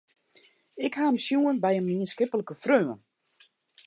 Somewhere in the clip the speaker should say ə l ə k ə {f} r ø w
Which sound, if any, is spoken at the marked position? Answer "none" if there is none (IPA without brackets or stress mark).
f